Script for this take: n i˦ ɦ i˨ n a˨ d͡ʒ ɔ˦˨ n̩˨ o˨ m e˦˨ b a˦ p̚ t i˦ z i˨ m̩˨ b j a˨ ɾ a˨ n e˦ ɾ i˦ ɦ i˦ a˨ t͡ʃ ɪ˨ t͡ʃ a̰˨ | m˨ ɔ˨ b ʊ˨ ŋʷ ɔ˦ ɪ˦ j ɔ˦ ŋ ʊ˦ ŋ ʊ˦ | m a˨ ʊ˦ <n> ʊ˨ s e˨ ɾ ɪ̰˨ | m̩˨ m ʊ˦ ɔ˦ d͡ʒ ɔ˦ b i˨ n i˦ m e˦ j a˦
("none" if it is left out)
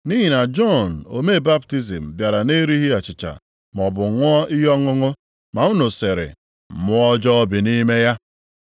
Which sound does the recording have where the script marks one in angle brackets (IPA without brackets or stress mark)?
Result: n